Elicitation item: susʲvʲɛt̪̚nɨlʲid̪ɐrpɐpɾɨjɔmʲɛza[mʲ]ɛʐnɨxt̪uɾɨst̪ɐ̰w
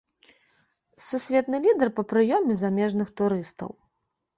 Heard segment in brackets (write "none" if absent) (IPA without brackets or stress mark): mʲ